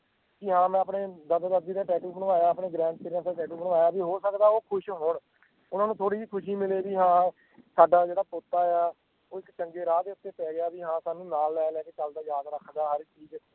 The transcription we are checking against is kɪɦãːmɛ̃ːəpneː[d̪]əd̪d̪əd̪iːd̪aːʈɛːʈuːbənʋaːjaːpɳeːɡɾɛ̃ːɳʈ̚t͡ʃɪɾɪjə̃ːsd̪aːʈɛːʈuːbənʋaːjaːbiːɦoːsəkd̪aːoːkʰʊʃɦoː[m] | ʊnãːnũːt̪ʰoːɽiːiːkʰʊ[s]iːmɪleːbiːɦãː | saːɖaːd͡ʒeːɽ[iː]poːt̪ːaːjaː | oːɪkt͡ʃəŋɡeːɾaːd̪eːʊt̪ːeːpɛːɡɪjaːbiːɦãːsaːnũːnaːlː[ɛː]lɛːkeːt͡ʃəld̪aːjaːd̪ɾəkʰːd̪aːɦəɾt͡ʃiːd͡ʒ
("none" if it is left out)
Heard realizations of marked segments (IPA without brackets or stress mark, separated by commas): d̪, ɳ, ʃ, aː, ɛː